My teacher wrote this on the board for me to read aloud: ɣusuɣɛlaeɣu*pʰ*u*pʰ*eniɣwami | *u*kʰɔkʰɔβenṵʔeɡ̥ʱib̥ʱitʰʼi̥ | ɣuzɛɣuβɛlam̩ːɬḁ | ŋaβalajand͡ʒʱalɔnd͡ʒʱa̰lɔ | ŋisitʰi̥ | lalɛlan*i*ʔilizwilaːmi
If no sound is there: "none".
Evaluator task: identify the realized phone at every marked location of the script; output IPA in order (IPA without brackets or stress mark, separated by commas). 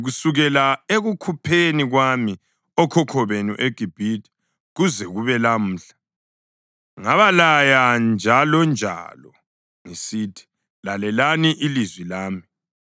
kʰ, pʰ, ɔ, i